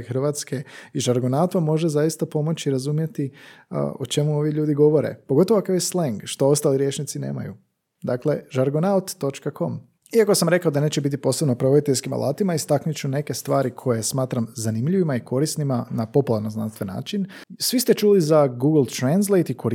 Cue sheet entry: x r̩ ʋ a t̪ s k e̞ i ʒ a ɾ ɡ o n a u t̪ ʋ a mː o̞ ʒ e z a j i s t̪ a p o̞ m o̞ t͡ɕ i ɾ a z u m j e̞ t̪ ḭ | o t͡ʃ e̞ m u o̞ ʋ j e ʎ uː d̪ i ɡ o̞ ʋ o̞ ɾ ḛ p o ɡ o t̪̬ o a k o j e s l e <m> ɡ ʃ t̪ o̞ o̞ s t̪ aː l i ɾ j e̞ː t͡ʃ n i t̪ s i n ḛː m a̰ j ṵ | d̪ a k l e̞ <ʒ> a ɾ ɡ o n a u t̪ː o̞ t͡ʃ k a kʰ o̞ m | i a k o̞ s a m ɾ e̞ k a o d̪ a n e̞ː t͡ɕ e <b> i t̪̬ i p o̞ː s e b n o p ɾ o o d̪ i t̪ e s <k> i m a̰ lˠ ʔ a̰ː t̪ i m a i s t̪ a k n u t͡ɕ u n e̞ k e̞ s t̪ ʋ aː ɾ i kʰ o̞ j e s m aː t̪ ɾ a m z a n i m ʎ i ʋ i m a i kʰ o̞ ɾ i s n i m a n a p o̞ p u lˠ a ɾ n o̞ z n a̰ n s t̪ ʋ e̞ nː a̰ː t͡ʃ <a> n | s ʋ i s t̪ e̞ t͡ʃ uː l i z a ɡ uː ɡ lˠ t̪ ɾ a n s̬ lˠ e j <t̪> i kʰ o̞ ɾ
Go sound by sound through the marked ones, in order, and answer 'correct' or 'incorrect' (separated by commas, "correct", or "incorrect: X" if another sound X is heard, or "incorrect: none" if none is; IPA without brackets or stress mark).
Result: incorrect: ŋ, correct, correct, correct, incorrect: i, correct